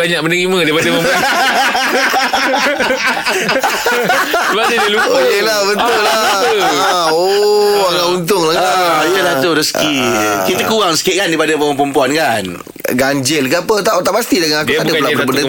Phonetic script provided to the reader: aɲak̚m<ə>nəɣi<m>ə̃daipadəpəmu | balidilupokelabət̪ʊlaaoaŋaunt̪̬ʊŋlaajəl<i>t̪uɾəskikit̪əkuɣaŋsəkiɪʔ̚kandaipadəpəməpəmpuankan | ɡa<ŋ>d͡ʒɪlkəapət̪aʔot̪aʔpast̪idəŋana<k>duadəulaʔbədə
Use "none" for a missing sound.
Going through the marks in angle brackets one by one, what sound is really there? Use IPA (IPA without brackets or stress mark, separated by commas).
ə, m, a, ɲ, k